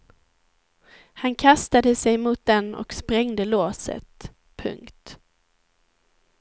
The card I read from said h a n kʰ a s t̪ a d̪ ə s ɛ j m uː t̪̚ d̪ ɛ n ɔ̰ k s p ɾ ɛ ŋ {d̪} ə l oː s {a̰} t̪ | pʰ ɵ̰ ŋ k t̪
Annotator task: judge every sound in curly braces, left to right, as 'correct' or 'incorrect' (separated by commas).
correct, incorrect